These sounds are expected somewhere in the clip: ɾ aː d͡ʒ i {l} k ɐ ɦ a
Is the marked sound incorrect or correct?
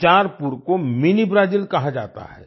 correct